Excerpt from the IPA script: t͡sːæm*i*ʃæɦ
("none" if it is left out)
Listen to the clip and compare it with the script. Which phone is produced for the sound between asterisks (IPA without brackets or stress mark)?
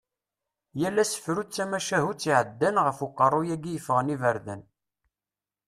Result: æ